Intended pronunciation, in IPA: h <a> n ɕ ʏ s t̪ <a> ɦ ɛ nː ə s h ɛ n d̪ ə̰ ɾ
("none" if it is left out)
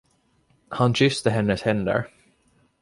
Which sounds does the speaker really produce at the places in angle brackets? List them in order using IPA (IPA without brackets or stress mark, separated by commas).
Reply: a, ə